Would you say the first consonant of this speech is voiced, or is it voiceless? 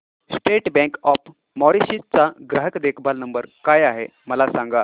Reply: voiceless